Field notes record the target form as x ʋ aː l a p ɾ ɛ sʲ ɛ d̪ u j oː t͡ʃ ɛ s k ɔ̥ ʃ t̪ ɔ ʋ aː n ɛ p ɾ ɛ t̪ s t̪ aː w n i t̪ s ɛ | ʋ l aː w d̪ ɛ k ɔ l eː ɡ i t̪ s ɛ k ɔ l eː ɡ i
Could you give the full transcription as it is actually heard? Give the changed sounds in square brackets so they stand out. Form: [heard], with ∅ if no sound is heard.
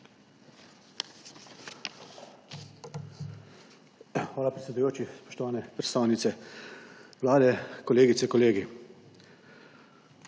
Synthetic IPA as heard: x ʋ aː l a p ɾ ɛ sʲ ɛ d̪ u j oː t͡ʃ [i] s [p] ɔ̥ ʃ t̪ ɔ ʋ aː n ɛ p ɾ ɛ t̪ s t̪ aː w n i t̪ s ɛ | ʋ l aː [∅] d̪ ɛ k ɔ l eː ɡ i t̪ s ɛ k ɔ l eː ɡ i